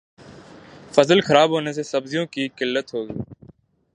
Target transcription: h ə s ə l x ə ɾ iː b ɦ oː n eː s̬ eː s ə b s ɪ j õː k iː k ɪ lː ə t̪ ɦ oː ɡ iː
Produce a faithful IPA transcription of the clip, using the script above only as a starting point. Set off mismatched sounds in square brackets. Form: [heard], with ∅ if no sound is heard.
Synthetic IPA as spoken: [f] ə [z] ə l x ə ɾ [aː] b ɦ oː n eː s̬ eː s ə b [z] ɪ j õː k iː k ɪ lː ə t̪ ɦ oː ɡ iː